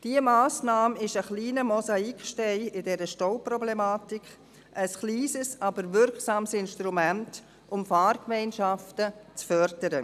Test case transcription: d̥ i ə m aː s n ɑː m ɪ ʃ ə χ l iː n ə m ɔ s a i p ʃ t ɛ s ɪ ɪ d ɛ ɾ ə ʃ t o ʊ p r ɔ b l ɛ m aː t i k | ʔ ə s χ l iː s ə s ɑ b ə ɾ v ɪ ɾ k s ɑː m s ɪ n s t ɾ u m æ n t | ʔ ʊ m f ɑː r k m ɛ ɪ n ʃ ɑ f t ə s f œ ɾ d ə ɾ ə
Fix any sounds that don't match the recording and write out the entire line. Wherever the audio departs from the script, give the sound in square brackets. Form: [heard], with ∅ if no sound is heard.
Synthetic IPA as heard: d̥ i ə m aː s n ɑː m ɪ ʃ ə χ l iː n ə m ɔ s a i [k] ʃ t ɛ [∅] ɪ ɪ d ɛ ɾ ə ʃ t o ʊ p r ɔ b l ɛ m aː t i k | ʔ ə s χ l iː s ə s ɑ b ə ɾ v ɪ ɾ k s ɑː m s ɪ n [ʃ] t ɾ u m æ n t | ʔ ʊ m f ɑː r k m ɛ ɪ n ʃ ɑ f t ə [t͡s] f œ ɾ d ə ɾ ə